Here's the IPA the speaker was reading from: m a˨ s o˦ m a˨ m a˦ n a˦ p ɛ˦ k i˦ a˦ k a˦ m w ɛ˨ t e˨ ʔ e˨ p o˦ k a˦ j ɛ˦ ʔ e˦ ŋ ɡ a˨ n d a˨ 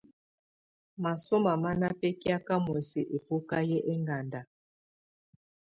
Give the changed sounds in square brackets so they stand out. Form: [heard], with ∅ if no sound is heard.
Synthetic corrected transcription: m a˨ s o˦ m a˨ m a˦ n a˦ p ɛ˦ k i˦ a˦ k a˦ m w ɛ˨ [s] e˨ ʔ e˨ p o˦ k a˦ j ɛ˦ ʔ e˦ ŋ ɡ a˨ n d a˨